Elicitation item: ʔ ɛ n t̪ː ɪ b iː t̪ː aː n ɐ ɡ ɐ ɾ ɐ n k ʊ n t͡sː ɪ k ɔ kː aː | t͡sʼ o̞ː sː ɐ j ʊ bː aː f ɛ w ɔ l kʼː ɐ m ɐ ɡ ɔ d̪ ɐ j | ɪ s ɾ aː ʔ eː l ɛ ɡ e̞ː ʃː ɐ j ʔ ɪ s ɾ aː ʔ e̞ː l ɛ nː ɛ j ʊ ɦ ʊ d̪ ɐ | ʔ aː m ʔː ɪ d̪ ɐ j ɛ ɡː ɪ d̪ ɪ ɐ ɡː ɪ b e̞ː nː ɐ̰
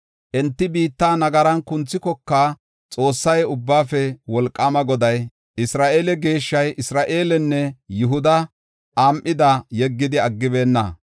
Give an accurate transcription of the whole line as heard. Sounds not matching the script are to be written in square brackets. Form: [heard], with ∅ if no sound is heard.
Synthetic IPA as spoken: ʔ ɛ n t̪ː ɪ b iː t̪ː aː n ɐ ɡ ɐ ɾ ɐ n k ʊ n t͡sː ɪ k ɔ kː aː | t͡sʼ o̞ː sː ɐ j ʊ bː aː f ɛ w ɔ l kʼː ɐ m ɐ ɡ ɔ d̪ ɐ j | ɪ s ɾ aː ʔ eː l ɛ ɡ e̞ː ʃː ɐ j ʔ ɪ s ɾ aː ʔ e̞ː l ɛ nː ɛ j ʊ ɦ ʊ d̪ ɐ | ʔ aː m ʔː ɪ d̪ ɐ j ɛ ɡː ɪ d̪ ɪ ɐ ɡː ɪ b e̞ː nː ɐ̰